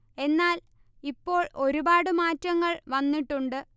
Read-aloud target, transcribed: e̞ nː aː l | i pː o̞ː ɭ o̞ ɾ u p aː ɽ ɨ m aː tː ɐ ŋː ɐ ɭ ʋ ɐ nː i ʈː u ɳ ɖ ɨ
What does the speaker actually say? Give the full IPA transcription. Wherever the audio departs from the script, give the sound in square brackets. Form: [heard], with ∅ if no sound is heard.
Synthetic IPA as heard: e̞ nː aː l | i pː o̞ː ɭ o̞ ɾ u [b] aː ɽ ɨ m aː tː ɐ ŋː ɐ ɭ ʋ ɐ nː i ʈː u ɳ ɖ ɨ

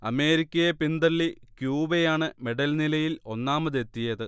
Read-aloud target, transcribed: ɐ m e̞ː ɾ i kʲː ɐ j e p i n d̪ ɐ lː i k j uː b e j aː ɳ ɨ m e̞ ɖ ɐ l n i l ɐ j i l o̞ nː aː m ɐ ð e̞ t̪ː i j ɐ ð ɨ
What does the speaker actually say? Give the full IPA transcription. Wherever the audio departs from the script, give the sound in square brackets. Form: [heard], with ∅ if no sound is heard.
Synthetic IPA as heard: ɐ m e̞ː ɾ i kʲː ɐ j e p i n d̪ ɐ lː i k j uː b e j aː ɳ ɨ m e̞ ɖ ɐ l n i l ɐ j i l o̞ nː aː m ɐ ð e̞ t̪ː i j ɐ ð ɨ

